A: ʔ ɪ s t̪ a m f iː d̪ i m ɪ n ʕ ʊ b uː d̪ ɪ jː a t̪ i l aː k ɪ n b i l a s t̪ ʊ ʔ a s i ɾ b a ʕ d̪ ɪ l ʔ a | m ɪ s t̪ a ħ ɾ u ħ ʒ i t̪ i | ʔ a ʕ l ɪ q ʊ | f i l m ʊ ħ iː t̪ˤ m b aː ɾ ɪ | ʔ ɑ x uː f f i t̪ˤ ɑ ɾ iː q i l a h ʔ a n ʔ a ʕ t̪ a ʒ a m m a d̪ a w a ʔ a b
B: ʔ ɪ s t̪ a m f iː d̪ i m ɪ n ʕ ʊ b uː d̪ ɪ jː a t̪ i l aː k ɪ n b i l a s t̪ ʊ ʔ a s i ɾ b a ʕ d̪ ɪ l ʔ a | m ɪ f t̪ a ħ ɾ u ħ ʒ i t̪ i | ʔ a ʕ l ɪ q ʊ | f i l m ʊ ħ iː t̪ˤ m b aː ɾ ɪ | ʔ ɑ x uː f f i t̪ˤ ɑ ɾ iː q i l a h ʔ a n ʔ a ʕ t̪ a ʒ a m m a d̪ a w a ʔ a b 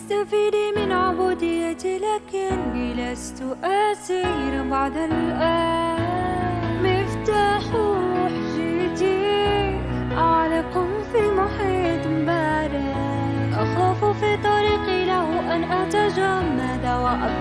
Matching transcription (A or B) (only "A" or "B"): B